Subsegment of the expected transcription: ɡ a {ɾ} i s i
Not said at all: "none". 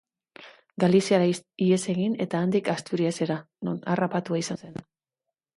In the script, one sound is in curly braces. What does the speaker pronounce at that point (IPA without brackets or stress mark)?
l